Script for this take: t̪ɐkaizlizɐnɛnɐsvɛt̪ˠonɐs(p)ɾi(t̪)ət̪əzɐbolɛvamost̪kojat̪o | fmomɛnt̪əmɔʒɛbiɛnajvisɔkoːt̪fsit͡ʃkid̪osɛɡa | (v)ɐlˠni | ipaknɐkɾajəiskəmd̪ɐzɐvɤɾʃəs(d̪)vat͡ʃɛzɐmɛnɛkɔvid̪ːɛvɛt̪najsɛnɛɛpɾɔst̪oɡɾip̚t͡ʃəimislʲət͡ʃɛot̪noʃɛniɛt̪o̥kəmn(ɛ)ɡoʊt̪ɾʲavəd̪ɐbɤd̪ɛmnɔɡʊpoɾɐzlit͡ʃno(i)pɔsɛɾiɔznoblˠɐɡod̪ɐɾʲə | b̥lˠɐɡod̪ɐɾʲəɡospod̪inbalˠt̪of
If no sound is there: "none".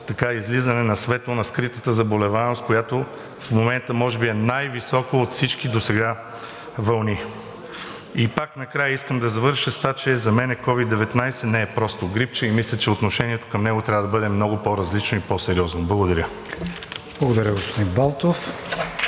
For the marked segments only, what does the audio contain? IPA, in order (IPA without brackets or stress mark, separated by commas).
k, t̪, v, t̪, ɛ, i